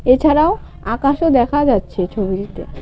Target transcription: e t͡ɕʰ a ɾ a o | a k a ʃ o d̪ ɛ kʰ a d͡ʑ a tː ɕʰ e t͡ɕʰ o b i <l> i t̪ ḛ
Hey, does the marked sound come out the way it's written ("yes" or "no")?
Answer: no